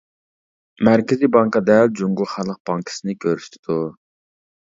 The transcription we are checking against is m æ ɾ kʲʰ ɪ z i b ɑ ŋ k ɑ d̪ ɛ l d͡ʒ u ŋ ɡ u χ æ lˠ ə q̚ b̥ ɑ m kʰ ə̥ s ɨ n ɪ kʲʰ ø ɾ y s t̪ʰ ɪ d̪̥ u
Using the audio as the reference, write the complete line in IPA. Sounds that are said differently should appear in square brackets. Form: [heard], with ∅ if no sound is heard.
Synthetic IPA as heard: m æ ɾ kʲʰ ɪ z i b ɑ ŋ k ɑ d̪ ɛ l d͡ʒ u ŋ ɡ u χ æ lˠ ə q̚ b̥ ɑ [ŋ] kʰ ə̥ s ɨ n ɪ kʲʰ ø ɾ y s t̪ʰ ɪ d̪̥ u